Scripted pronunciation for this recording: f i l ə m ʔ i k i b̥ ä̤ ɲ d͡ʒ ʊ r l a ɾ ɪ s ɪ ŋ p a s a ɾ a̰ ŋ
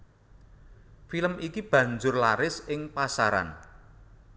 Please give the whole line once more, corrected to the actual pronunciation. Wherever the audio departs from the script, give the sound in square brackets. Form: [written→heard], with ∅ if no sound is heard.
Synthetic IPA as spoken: f i l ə m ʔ i k i b̥ ä̤ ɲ d͡ʒ ʊ r l a ɾ ɪ s ɪ ŋ p a s a ɾ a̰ [ŋ→n]